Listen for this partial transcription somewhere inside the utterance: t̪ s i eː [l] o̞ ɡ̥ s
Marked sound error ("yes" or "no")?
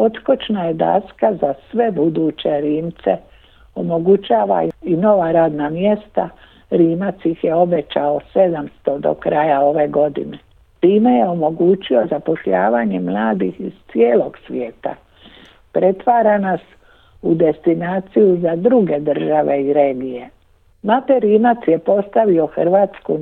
no